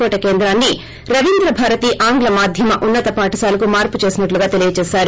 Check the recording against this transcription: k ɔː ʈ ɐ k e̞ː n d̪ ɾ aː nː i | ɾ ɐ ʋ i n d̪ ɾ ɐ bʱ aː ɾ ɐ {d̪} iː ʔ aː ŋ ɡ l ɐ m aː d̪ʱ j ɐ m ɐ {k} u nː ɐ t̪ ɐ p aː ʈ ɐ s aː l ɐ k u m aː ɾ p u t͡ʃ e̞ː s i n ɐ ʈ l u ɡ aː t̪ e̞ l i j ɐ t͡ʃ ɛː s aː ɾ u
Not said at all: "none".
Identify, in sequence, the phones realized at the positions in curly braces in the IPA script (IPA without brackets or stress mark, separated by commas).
t̪, ʔ